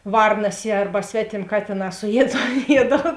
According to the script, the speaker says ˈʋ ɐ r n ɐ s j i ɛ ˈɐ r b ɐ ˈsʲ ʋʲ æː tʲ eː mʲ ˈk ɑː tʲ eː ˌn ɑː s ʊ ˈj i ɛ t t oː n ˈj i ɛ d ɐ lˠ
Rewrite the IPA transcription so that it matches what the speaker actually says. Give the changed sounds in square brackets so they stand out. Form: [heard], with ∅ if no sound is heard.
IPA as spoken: ˈʋ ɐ r n ɐ s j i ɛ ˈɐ r b ɐ ˈsʲ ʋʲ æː tʲ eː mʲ ˈk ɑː tʲ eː ˌn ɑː s ʊ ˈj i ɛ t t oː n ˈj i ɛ d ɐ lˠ